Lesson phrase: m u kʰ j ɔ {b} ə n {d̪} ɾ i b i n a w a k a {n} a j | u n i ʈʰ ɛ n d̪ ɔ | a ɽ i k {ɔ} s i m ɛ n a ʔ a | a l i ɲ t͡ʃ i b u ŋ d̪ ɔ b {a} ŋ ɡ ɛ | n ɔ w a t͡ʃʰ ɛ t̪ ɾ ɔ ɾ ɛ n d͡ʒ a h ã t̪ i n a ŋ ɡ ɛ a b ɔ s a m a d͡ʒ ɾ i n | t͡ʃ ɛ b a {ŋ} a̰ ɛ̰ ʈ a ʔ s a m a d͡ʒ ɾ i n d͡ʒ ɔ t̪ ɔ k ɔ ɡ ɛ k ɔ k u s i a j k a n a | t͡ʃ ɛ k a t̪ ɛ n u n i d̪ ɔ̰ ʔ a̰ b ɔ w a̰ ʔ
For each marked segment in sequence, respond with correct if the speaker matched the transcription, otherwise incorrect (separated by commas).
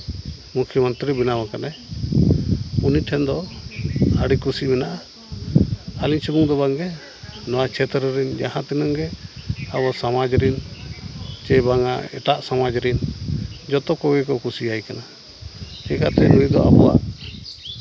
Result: incorrect, incorrect, correct, incorrect, correct, correct